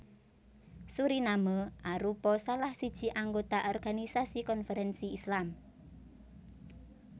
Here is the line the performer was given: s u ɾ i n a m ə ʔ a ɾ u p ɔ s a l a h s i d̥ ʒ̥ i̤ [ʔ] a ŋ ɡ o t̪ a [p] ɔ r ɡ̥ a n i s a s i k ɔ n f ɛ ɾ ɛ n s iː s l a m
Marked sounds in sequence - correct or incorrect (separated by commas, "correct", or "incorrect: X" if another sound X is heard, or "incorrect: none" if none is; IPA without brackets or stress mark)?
correct, incorrect: ʔ